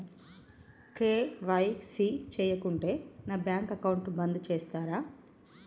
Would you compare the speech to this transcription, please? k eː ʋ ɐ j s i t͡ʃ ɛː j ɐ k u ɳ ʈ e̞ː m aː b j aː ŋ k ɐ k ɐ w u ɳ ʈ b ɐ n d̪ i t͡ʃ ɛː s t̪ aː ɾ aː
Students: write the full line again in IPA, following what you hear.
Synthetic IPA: k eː ʋ ɐ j s i t͡ʃ ɛː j ɐ k u ɳ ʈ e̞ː n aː b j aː ŋ k ɐ k ɐ w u ɳ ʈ b ɐ n d̪ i t͡ʃ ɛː s t̪ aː ɾ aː